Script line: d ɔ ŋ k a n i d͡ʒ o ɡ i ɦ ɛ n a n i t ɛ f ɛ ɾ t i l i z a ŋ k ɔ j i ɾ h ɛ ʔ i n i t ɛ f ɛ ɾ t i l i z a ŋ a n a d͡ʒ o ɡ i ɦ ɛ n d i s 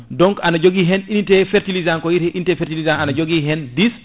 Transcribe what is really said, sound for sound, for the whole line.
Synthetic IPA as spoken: d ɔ ŋ k a n a d͡ʒ o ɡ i ɦ ɛ n i n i t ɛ f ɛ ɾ t i l i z a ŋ k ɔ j i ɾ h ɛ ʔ i n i t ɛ f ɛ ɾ t i l i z a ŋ a n a d͡ʒ o ɡ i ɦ ɛ n d i s